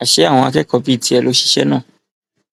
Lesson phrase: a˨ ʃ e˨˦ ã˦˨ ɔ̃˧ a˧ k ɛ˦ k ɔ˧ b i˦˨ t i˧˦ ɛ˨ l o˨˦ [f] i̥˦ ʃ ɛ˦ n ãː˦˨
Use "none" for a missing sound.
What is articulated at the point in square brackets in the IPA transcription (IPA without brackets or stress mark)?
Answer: ʃ